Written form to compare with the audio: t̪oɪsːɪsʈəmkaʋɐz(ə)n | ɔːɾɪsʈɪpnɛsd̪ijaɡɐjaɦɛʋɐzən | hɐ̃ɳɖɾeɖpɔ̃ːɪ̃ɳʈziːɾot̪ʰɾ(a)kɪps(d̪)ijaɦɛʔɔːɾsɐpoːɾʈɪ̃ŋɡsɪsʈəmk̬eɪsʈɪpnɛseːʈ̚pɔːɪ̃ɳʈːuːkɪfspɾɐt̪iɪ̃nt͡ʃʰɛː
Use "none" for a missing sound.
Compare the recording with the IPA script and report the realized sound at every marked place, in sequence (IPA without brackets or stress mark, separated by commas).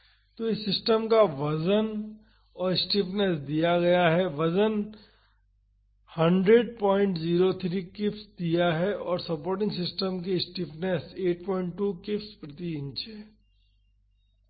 ə, i, d̪